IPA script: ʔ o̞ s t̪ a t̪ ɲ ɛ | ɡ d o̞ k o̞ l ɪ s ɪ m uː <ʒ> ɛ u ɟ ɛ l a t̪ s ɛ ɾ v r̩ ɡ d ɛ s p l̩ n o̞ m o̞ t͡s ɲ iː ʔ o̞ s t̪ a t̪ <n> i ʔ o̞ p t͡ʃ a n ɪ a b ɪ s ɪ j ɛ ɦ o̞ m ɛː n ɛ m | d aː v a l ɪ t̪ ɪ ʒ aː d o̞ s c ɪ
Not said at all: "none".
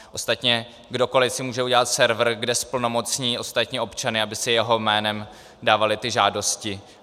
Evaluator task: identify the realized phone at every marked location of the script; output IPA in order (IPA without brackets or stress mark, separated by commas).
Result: ʒ, ɲ